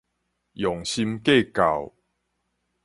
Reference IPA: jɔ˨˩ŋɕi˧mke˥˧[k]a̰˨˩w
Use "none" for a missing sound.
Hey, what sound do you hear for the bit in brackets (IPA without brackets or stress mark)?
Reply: k